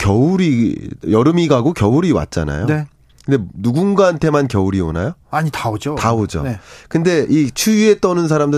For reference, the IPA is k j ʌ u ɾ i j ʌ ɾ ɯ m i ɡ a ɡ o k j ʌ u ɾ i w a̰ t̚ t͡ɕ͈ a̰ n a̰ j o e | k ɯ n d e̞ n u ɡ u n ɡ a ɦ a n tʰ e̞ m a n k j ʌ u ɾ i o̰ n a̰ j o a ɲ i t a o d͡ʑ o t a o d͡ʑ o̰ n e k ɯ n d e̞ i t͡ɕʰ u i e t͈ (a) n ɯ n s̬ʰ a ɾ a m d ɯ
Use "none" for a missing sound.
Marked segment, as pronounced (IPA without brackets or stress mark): ʌ